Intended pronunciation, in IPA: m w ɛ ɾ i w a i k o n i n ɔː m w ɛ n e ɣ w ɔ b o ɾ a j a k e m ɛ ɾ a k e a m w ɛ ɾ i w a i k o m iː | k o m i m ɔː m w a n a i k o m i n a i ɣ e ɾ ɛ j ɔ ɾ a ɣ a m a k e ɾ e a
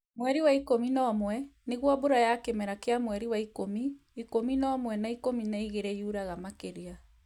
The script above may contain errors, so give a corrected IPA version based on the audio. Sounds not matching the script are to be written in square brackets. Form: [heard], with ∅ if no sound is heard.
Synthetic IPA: m w ɛ ɾ i w a i k o [m] i n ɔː m w ɛ n e ɣ w ɔ b o ɾ a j a k e m ɛ ɾ a k e a m w ɛ ɾ i w a i k o m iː | k o m i [n] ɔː m w [ɛ] n a i k o m i n a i ɣ e ɾ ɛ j [u] ɾ a ɣ a m a k e ɾ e a